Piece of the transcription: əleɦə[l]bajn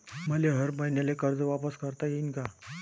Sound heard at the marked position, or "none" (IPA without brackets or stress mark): ɾ